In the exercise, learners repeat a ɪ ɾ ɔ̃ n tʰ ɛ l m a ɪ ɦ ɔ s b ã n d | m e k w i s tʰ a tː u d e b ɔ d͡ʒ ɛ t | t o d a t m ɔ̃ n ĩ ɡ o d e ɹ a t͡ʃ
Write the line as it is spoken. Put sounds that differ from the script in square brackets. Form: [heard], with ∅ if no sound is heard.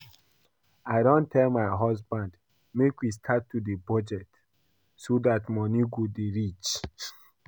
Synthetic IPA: a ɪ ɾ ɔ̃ n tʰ ɛ l m a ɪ ɦ ɔ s b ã n d | m e k w i s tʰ a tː u d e b ɔ d͡ʒ ɛ t | [s] o d a t m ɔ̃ n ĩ ɡ o d e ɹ [i] t͡ʃ